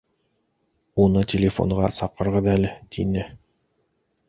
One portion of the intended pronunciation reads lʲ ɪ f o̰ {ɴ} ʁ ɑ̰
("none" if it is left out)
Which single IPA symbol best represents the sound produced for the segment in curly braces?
ɴ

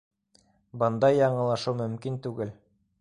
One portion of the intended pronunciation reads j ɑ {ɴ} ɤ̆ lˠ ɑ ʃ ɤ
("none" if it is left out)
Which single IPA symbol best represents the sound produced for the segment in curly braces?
ɴ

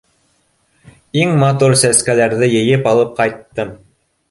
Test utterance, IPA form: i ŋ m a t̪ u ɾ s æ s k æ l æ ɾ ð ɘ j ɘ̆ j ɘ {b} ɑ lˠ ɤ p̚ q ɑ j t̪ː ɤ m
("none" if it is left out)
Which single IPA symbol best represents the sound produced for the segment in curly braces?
p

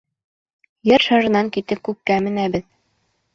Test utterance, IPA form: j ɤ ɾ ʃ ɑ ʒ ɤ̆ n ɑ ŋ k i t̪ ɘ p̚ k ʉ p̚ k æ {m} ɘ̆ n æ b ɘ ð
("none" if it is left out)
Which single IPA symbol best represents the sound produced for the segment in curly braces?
m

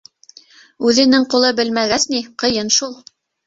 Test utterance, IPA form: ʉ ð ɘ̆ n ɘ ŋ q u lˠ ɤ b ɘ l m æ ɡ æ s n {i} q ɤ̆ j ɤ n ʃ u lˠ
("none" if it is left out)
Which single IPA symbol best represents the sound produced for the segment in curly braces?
i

